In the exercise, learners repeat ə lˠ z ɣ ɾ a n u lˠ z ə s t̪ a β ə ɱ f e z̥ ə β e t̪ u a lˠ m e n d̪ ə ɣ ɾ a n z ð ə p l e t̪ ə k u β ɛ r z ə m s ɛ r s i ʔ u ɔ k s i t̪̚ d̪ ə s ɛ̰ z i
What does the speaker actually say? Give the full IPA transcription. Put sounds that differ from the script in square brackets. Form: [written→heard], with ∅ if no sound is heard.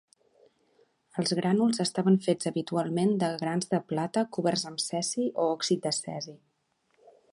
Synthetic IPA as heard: ə lˠ z ɣ ɾ a n u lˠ z ə s t̪ a β ə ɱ f e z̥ ə β [e→i] t̪ u a lˠ m e n d̪ ə ɣ ɾ a n z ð ə p l [e→a] t̪ ə k u β ɛ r z ə m s ɛ [r→∅] s i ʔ [u→o] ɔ k s i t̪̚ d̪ ə s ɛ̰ z i